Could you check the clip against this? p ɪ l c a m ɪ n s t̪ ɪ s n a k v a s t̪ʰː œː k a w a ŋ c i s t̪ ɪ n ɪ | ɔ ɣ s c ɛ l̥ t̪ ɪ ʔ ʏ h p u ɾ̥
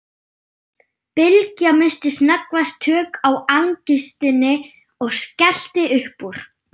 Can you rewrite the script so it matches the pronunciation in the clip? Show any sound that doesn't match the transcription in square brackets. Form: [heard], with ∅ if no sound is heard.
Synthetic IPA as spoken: p ɪ l c a m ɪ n s t̪ ɪ s n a k v a s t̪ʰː œː k a w a ŋ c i s t̪ ɪ n ɪ | ɔ ɣ s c ɛ l̥ t̪ ɪ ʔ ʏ h p u ɾ̥